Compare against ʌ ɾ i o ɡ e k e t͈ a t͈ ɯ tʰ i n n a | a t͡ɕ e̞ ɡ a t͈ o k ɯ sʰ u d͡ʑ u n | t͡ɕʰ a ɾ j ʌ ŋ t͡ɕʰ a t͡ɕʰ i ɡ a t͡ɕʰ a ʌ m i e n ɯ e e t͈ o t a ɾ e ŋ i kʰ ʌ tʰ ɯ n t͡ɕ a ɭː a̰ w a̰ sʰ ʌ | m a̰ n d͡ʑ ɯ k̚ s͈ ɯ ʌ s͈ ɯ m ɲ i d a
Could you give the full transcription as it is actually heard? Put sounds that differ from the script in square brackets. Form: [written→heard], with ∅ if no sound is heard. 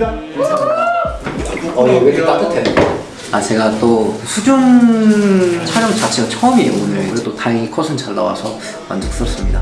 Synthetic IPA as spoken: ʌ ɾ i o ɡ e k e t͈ a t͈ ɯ tʰ [i→e] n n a | a t͡ɕ e̞ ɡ a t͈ o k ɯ sʰ u d͡ʑ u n | t͡ɕʰ a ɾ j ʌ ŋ [t͡ɕʰ→t͡ɕ] a t͡ɕʰ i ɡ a t͡ɕʰ [a→ʌ] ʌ m i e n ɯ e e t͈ o t a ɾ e ŋ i kʰ ʌ [tʰ→sʰ] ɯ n t͡ɕ a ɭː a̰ w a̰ sʰ ʌ | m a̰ n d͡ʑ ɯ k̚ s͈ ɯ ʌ s͈ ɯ m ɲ i d a